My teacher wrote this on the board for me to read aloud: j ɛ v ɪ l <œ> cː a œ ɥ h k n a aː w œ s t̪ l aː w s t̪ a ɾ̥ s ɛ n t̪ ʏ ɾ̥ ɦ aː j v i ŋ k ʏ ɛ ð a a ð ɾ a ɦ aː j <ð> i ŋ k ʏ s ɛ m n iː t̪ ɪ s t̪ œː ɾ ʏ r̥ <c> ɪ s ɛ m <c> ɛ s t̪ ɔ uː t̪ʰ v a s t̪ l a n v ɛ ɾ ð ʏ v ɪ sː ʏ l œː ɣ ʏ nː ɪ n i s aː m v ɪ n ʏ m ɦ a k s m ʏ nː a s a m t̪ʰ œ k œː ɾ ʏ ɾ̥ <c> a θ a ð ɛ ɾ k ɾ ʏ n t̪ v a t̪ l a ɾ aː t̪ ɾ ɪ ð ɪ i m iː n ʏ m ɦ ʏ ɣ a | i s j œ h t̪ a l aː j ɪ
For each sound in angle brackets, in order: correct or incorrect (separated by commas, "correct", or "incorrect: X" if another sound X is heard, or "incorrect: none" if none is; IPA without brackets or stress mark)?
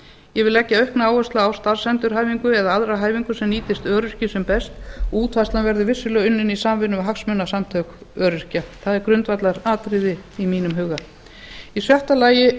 incorrect: ɛ, incorrect: v, correct, incorrect: p, correct